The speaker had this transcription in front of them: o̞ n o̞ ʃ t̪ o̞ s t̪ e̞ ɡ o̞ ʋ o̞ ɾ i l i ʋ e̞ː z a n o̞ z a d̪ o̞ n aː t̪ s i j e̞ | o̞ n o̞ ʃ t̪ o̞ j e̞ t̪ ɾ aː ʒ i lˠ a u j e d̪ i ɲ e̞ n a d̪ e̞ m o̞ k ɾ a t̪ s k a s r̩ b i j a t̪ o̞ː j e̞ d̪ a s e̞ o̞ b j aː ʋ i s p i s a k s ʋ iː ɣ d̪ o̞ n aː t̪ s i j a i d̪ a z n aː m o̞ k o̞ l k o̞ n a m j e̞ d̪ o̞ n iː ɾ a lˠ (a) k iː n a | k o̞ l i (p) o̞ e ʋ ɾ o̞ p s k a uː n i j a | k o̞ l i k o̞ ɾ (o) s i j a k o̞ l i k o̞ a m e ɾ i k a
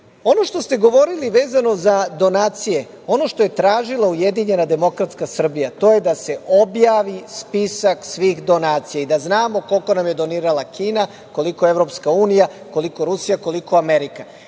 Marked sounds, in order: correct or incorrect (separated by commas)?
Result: correct, incorrect, incorrect